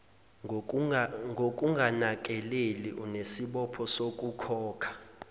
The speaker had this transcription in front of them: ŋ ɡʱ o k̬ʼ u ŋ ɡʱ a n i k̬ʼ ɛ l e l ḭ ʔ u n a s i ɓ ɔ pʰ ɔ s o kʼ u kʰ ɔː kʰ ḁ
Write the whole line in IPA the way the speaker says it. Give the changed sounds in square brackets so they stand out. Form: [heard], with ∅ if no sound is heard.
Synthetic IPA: ŋ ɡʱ o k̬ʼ u ŋ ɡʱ a n [a] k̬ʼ ɛ l e l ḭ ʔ u n [e] s i ɓ ɔ pʰ ɔ s o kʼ u kʰ ɔː kʰ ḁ